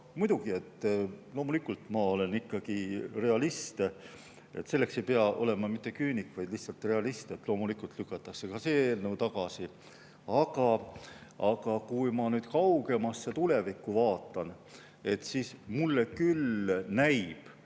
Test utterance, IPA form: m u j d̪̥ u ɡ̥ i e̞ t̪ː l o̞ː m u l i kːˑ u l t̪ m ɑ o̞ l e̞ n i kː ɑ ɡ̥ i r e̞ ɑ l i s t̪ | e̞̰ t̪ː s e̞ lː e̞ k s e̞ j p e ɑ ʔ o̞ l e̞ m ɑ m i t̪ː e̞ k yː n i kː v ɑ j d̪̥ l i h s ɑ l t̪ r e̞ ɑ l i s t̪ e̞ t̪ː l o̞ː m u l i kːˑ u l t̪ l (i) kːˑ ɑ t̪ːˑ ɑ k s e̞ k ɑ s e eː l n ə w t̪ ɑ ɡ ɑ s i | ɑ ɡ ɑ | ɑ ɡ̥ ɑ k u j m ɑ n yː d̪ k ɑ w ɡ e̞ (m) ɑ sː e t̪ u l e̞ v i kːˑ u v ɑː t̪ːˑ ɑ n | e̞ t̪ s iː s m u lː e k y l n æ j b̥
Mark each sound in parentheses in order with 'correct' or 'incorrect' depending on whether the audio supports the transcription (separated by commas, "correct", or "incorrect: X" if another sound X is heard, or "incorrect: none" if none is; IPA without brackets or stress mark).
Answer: incorrect: y, correct